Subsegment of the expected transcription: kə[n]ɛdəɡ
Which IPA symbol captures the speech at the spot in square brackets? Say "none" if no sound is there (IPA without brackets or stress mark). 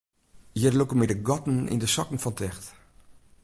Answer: m